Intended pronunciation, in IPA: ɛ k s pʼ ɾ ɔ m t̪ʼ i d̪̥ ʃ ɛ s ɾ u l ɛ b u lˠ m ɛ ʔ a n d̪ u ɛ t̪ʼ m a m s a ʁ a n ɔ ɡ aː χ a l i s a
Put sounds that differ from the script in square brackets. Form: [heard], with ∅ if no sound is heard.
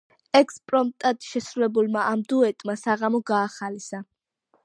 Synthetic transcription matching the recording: ɛ k s pʼ ɾ ɔ m t̪ʼ [a] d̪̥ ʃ ɛ s ɾ u l ɛ b u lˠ m [a] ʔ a [m] d̪ u ɛ t̪ʼ m a [∅] s a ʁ a [m] ɔ ɡ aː χ a l i s a